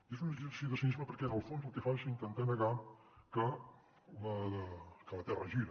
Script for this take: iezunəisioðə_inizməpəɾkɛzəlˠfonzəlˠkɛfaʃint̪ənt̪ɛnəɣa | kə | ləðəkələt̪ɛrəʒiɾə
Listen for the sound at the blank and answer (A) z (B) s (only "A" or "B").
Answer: B